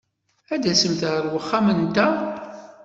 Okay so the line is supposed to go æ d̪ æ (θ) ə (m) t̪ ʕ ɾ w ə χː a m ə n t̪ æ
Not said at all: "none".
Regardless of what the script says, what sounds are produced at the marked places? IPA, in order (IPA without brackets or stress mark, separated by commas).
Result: s, m